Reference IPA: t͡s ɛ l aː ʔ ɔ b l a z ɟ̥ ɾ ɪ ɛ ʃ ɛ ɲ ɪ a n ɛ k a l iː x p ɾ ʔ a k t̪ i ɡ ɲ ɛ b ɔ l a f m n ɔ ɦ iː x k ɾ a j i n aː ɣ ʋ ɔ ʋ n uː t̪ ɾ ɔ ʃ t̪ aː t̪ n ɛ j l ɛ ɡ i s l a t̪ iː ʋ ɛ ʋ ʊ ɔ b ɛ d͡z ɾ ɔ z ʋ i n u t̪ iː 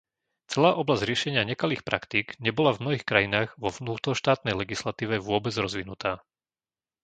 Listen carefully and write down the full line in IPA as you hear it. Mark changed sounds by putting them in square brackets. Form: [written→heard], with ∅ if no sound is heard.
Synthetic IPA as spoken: t͡s ɛ l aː ʔ ɔ b l a z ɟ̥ ɾ ɪ ɛ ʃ ɛ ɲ ɪ a [n→ɲ] ɛ k a l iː x p ɾ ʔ a k t̪ i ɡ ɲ ɛ b ɔ l a [f→v] m n ɔ ɦ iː x k ɾ a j i n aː ɣ ʋ ɔ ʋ n uː t̪ ɾ ɔ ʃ t̪ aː t̪ n ɛ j l ɛ ɡ i s l a t̪ iː ʋ ɛ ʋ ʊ ɔ b ɛ d͡z ɾ ɔ z ʋ i n u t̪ [iː→aː]